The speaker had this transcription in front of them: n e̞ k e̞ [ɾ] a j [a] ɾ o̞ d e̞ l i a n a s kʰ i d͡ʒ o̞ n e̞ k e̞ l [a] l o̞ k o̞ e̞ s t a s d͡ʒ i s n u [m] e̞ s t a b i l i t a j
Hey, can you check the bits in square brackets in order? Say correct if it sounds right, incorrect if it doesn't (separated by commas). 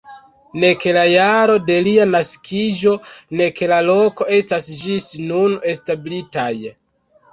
incorrect, correct, correct, incorrect